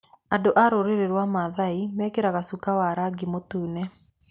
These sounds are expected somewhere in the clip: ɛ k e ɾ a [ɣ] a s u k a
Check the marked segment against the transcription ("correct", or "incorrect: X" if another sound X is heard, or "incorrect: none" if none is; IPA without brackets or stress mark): correct